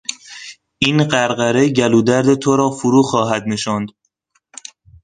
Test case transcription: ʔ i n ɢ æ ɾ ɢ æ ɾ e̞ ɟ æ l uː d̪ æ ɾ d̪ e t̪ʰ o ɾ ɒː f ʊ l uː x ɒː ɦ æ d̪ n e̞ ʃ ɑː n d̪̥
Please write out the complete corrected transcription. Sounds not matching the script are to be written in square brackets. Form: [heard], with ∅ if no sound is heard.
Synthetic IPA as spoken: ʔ i n ɢ æ ɾ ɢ æ ɾ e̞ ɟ æ l uː d̪ æ ɾ d̪ e t̪ʰ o ɾ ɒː f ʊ [ɾ] uː x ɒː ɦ æ d̪ n e̞ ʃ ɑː n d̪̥

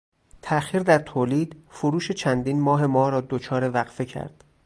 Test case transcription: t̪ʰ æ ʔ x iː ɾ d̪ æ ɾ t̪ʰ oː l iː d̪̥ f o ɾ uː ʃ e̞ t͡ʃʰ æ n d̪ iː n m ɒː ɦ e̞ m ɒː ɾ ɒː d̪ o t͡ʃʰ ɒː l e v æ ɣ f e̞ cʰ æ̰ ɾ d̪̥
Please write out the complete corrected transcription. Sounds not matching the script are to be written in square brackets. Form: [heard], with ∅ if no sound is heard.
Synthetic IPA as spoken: t̪ʰ æ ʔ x iː ɾ d̪ æ ɾ t̪ʰ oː l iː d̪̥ f o ɾ uː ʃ e̞ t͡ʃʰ æ n d̪ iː n m ɒː ɦ e̞ m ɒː ɾ ɒː d̪ o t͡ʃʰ ɒː [ɾ] e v æ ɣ f e̞ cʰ æ̰ ɾ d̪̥

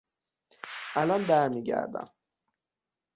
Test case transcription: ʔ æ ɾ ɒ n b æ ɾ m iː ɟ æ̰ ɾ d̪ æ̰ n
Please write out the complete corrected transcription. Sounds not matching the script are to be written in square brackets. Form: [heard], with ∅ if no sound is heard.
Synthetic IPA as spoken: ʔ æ [l] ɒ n b æ ɾ m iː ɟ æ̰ ɾ d̪ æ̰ [m]

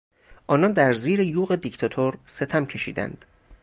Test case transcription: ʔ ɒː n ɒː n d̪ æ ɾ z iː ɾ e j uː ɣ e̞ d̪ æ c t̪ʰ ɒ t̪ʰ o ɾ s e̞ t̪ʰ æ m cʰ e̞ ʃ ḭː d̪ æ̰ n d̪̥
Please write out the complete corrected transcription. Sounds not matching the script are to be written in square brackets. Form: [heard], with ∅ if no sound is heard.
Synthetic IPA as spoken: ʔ ɒː n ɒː n d̪ æ ɾ z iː ɾ e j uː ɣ e̞ d̪ [i] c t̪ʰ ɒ t̪ʰ o ɾ s e̞ t̪ʰ æ m cʰ e̞ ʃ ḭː d̪ æ̰ n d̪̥

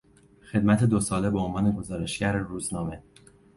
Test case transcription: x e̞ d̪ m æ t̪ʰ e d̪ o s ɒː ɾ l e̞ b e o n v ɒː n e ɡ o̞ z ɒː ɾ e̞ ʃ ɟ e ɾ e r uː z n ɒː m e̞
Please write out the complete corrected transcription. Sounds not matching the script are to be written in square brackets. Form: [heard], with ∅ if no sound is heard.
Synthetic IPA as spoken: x e̞ d̪ m æ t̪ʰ e d̪ o s ɒː [∅] l e̞ b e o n v ɒː n e ɡ o̞ z ɒː ɾ e̞ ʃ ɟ [æ] ɾ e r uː z n ɒː m e̞

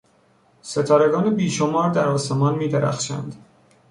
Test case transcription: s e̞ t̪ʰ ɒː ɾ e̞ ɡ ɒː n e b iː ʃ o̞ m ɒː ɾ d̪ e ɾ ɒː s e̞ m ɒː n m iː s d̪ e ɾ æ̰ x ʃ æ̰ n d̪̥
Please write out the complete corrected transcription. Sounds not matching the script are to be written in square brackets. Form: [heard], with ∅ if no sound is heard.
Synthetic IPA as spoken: s e̞ t̪ʰ ɒː ɾ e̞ ɡ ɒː n e b iː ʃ o̞ m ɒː ɾ d̪ [æ] ɾ ɒː s e̞ m ɒː n m iː [∅] d̪ e ɾ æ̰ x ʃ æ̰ n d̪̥

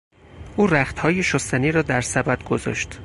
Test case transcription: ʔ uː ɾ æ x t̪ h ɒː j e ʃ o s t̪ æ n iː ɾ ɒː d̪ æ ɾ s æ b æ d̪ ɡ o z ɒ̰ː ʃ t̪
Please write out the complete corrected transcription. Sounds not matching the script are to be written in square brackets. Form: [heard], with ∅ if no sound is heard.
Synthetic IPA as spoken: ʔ uː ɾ æ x t̪ h ɒː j e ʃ o s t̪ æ n iː ɾ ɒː d̪ æ ɾ s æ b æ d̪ ɡ o z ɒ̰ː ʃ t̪

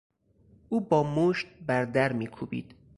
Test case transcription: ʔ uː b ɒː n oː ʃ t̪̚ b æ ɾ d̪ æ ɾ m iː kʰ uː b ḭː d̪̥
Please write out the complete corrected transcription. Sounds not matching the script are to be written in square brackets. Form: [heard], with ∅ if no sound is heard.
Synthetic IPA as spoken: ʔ uː b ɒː [m] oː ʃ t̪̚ b æ ɾ d̪ æ ɾ m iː kʰ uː b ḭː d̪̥

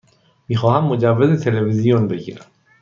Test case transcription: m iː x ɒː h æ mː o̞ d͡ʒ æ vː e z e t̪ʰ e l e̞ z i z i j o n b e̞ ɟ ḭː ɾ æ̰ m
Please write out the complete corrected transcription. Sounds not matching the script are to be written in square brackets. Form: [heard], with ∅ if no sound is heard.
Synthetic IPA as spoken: m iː x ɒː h æ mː o̞ d͡ʒ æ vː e z e t̪ʰ e l e̞ [v] i z i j o n b e̞ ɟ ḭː ɾ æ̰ m

